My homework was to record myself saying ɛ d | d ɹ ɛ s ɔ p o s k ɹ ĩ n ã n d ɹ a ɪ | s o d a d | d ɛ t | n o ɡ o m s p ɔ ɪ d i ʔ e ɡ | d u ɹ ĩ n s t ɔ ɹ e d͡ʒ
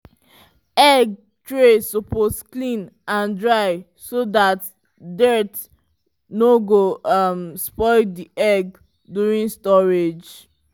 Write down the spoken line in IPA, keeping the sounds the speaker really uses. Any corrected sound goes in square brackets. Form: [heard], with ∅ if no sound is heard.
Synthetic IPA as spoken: ɛ [ɡ] | [t] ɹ [e] s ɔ p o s k [l] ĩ n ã n d ɹ a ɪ | s o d a [t] | d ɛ t | n o ɡ o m s p ɔ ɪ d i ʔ [ɛ] ɡ | d u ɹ ĩ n s t ɔ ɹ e d͡ʒ